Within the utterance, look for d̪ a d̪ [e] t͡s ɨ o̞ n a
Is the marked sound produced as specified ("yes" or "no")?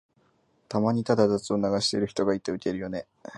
no